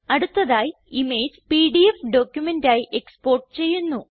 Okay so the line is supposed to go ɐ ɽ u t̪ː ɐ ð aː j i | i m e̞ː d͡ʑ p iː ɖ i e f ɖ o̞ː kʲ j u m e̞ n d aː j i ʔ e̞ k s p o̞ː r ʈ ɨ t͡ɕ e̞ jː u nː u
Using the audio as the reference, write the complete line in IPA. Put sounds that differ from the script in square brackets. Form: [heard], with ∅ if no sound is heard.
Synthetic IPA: ɐ ɽ u t̪ː ɐ ð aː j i | i m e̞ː d͡ʑ p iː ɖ i e f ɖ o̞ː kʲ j u m e̞ n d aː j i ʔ e̞ k s p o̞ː r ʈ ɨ t͡ɕ e̞ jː u nː u